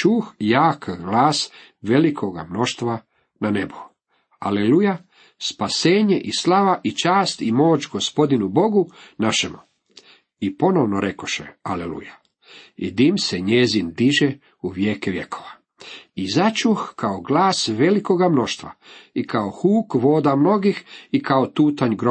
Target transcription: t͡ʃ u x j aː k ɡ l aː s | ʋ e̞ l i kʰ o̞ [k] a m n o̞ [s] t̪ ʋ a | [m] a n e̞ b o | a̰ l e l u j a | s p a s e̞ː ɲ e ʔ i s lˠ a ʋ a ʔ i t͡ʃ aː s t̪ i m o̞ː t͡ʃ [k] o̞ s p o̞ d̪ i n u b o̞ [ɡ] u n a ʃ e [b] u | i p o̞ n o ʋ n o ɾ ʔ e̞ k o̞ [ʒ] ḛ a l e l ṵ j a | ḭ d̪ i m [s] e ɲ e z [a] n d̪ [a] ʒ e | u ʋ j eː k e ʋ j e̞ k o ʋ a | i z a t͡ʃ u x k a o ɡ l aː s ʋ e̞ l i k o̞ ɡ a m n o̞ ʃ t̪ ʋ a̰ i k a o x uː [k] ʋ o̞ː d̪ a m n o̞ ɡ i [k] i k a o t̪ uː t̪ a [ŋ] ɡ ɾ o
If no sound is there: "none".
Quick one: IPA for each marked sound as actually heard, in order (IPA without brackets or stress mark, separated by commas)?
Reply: ɡ, ʃ, n, ɡ, ɡ, m, ʃ, s, i, i, k, x, ɲ